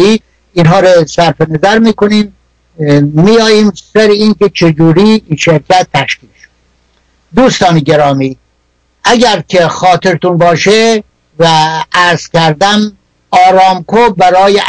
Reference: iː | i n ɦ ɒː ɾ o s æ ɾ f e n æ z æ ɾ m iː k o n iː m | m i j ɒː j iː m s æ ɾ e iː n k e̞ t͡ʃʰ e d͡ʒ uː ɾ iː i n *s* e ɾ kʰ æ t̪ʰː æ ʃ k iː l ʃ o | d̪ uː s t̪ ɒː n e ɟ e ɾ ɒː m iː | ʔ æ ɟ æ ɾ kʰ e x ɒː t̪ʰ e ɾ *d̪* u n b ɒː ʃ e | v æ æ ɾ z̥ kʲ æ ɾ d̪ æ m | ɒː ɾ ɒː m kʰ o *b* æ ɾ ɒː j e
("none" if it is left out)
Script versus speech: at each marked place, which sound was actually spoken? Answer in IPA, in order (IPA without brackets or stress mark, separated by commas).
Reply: ʃ, t̪, b